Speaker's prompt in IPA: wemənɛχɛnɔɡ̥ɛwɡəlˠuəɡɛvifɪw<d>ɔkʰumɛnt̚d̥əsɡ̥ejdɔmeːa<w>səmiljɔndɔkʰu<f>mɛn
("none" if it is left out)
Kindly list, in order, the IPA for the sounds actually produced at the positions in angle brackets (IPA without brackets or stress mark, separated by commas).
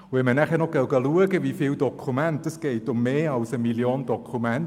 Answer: d, w, none